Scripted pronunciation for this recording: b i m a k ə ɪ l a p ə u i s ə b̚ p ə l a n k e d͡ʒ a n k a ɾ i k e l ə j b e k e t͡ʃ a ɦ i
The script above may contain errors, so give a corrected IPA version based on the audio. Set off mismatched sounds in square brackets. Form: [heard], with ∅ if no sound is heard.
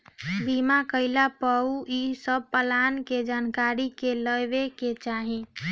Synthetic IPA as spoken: b i m a k ə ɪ l a p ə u i s ə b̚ p ə l a n k e d͡ʒ a n k a ɾ i k e l ə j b e k e t͡ʃ a ɦ i